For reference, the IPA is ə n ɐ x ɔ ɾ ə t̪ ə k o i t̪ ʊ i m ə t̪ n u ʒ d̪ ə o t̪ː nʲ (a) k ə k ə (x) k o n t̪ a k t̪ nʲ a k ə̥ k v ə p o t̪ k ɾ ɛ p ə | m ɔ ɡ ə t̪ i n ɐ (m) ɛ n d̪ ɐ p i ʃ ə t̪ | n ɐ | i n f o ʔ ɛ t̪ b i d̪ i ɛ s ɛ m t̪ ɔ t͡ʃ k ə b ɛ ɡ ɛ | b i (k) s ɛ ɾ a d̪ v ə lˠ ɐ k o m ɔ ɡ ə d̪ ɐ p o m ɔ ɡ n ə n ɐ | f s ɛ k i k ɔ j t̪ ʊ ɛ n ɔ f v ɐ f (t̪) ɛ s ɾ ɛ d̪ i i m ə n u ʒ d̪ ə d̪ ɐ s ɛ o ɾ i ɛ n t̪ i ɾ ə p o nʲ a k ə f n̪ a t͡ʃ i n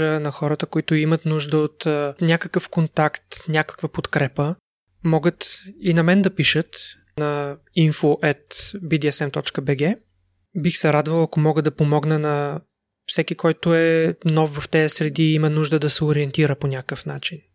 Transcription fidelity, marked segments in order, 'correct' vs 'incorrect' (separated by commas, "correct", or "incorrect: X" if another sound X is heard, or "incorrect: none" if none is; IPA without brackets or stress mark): correct, incorrect: f, correct, incorrect: x, correct